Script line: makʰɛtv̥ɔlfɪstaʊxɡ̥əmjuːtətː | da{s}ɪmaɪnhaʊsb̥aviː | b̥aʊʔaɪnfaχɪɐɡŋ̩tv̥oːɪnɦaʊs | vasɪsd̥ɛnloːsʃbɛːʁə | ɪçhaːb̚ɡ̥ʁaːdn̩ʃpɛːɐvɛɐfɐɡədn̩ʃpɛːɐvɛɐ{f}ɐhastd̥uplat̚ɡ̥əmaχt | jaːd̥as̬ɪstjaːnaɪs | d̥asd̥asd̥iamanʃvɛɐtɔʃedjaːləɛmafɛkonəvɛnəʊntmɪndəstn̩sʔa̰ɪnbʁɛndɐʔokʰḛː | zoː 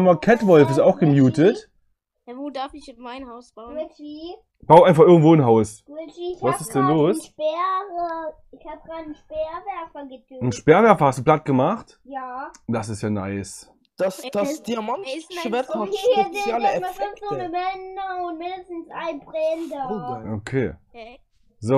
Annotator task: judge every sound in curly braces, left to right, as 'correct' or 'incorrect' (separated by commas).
incorrect, correct